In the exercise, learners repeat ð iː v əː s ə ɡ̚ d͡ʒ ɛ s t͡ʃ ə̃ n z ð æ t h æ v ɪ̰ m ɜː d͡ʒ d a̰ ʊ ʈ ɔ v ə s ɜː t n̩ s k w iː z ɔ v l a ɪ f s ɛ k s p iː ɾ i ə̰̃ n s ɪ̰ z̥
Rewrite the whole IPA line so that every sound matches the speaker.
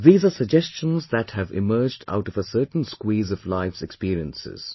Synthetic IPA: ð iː z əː s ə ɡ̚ d͡ʒ ɛ s t͡ʃ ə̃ n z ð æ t h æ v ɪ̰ m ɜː d͡ʒ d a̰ ʊ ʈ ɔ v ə s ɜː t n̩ s k w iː z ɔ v l a ɪ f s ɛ k s p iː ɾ i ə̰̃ n s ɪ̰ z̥